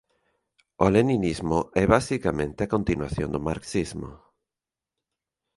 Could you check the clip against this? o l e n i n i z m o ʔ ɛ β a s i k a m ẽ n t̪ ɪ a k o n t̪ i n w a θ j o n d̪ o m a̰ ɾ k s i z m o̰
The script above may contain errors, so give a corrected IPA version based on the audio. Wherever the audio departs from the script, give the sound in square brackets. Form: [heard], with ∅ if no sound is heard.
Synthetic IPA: o l e n i n i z m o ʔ ɛ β a s i k a m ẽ n t̪ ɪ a k o n t̪ i n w a θ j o n d̪ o m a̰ ɾ k s i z m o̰